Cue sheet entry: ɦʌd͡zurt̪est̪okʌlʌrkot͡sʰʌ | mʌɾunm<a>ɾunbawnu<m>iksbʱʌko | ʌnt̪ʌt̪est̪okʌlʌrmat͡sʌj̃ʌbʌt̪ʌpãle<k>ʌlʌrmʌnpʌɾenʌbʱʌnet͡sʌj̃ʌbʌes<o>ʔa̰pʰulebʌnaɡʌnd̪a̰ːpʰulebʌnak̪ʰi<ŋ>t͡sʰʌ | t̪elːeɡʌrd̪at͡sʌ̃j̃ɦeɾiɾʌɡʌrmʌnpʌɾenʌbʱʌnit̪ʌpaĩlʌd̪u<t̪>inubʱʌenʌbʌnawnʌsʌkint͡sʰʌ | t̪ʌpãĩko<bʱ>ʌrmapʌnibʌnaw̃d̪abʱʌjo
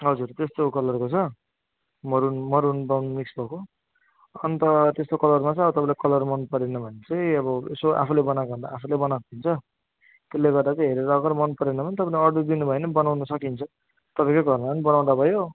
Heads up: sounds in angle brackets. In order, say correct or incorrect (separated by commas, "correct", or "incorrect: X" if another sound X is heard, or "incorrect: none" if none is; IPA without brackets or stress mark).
incorrect: ʌ, correct, correct, correct, incorrect: n, incorrect: d̪, incorrect: ɡʱ